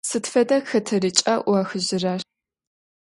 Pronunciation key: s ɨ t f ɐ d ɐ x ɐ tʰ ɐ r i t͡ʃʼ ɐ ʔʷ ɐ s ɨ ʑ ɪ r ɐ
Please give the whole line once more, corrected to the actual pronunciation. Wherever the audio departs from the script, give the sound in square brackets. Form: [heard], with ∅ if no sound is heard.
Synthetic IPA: s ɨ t f ɐ d ɐ x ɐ tʰ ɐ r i t͡ʃʼ ɐ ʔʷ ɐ [x] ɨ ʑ ɪ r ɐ